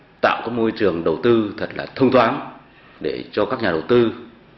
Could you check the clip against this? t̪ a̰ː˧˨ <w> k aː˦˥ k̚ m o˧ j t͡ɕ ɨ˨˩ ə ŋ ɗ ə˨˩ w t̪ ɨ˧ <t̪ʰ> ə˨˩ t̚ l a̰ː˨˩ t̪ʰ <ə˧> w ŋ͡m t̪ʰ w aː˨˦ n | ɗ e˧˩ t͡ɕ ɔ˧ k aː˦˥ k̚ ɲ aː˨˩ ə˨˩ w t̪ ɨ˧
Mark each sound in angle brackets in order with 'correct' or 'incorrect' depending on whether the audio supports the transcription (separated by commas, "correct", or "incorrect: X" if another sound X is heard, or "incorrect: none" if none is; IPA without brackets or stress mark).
correct, correct, correct